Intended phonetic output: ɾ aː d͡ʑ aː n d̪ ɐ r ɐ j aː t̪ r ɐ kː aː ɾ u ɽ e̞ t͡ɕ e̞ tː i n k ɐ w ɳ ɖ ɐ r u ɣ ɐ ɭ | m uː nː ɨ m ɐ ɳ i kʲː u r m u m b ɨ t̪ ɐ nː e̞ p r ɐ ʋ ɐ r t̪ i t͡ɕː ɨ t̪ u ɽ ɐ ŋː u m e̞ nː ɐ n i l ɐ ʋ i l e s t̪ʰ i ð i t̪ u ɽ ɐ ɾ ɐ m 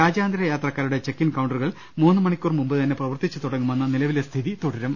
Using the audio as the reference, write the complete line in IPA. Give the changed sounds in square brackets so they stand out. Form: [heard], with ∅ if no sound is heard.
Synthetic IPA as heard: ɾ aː d͡ʑ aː n d̪ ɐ [ɾ] ɐ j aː t̪ r ɐ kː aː ɾ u ɽ e̞ t͡ɕ e̞ [kː] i n k ɐ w ɳ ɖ ɐ r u ɣ ɐ ɭ | m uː nː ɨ m ɐ ɳ i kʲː u r m u m b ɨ t̪ ɐ nː e̞ p r ɐ ʋ ɐ r t̪ i t͡ɕː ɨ t̪ u ɽ ɐ ŋː u m e̞ nː ɐ n i l ɐ ʋ i l e s t̪ʰ i ð i t̪ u ɽ ɐ ɾ ɐ m